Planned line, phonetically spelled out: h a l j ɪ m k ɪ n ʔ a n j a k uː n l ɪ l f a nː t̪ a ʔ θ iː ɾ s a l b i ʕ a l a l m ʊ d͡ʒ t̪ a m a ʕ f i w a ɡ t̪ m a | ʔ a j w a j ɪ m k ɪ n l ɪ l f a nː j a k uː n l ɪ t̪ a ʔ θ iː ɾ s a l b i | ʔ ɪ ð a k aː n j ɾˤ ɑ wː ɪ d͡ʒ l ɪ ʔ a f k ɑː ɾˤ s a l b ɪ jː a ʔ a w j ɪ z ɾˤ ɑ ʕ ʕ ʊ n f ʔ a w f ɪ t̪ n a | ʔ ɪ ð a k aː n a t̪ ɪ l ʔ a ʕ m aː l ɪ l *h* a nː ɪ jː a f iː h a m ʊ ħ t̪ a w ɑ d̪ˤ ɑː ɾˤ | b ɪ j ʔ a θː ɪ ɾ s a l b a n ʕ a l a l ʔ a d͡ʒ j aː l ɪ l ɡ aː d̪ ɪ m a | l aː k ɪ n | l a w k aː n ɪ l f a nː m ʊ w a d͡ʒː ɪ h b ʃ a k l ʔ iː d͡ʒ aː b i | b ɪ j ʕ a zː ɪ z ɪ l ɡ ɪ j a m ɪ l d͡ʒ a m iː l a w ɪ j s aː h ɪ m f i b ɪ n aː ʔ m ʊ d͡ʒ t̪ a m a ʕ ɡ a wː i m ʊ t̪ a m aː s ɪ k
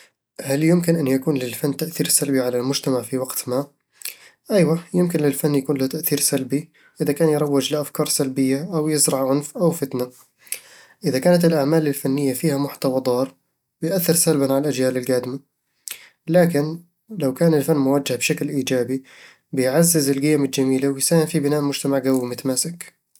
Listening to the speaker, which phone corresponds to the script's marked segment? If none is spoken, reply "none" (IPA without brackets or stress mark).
f